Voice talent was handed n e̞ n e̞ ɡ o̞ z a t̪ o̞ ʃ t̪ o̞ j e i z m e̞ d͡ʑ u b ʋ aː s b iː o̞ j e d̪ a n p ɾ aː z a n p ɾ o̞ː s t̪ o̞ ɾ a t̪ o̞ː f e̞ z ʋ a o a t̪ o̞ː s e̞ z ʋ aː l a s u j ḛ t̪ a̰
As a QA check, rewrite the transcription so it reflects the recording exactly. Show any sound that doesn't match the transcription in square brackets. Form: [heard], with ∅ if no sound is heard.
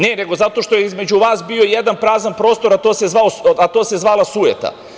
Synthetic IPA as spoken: n e̞ n e̞ ɡ o̞ z a t̪ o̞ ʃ t̪ o̞ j e i z m e̞ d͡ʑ u [∅] ʋ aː s b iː o̞ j e d̪ a n p ɾ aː z a n p ɾ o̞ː s t̪ o̞ ɾ a t̪ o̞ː [s] e̞ z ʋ a o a t̪ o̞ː s e̞ z ʋ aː l a s u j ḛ t̪ a̰